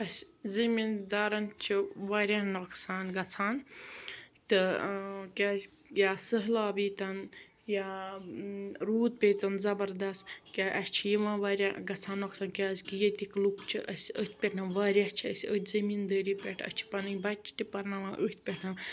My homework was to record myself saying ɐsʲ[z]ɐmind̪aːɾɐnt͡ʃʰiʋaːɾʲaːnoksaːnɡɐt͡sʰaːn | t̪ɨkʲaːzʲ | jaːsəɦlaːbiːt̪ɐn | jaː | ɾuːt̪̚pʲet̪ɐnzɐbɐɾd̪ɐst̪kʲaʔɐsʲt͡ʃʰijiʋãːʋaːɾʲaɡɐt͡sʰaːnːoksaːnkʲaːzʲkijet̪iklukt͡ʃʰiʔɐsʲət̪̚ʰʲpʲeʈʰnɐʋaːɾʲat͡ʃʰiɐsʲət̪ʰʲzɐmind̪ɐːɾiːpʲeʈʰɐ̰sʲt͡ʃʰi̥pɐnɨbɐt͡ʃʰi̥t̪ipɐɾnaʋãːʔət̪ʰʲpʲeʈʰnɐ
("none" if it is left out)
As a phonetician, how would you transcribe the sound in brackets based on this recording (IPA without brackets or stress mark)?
z